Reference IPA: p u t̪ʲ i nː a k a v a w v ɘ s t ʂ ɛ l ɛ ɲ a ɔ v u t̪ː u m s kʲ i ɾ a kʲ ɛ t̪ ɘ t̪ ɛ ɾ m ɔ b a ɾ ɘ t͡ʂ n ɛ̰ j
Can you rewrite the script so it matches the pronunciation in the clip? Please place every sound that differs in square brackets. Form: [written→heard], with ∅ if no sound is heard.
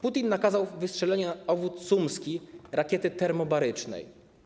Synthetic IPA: p u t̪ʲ i nː a k a [v→z] a w v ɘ s t ʂ ɛ l ɛ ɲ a ɔ v u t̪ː u m s kʲ i ɾ a kʲ ɛ t̪ ɘ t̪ ɛ ɾ m ɔ b a ɾ ɘ t͡ʂ n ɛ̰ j